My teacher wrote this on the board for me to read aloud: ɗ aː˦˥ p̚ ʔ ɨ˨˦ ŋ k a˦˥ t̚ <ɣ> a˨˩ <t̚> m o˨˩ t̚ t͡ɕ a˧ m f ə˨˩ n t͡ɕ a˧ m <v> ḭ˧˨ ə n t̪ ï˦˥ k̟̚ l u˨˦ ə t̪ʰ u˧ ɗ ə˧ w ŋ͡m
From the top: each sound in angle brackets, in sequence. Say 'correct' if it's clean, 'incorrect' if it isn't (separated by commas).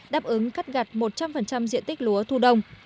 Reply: correct, correct, incorrect